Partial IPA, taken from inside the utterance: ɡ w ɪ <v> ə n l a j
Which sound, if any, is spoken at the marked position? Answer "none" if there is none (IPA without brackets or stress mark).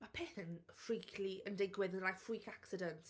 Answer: ð